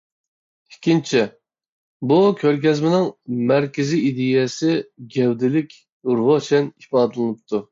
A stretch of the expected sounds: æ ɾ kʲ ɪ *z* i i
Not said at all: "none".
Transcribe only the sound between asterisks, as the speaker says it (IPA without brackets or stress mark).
z